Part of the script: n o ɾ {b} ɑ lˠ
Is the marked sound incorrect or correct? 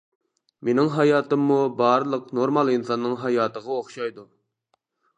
incorrect